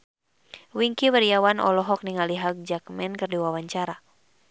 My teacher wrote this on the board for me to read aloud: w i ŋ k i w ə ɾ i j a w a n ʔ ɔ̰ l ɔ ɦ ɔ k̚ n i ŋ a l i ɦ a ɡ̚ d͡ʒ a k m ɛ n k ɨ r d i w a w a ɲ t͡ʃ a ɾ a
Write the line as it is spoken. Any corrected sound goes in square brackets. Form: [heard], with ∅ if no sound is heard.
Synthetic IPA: w i ŋ k i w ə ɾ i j a w a n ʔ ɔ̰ l ɔ ɦ ɔ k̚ n i ŋ a l i ɦ a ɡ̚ d͡ʒ a k m ɛ n k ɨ r d i w a w a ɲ t͡ʃ a ɾ a